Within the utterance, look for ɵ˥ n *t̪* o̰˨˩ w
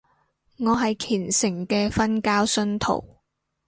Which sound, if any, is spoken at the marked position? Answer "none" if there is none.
t̪ʰ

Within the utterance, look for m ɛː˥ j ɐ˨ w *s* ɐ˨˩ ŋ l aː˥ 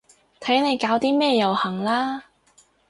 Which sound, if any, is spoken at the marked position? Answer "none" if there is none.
h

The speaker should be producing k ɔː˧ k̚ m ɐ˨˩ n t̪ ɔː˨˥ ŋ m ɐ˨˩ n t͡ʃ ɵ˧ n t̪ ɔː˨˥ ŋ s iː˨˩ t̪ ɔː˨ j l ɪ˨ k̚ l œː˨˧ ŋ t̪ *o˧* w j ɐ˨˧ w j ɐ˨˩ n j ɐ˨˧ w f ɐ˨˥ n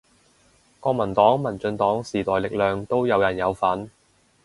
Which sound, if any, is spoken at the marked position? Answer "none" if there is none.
o˥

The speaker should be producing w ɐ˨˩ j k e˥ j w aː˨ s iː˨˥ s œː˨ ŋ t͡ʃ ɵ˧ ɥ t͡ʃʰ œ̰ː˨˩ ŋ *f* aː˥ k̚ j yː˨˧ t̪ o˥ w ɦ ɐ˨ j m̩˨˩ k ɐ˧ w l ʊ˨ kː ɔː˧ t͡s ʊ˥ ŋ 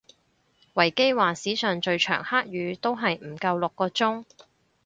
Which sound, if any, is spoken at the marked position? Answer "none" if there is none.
h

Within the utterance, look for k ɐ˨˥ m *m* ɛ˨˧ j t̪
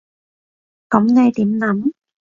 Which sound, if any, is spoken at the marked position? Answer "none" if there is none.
n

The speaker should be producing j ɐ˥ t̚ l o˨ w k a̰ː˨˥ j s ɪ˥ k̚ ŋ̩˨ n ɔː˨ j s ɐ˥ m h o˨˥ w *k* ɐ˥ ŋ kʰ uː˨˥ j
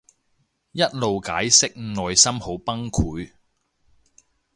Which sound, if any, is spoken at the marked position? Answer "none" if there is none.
p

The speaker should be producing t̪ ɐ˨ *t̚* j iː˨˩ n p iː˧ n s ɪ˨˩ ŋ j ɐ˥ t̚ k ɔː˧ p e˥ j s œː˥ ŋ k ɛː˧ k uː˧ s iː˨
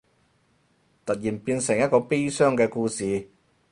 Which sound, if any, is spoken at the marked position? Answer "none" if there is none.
t̚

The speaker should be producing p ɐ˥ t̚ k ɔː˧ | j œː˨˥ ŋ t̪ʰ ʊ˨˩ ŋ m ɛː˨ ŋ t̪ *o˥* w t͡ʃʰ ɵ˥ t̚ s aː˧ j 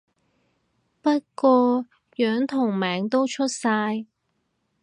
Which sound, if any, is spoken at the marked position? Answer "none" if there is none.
o˥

